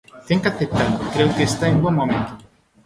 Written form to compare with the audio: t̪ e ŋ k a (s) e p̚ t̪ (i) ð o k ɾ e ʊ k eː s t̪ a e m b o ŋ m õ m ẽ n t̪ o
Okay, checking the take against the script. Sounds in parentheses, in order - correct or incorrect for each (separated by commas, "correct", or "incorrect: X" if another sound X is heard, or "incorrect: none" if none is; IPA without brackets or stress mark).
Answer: incorrect: θ, incorrect: a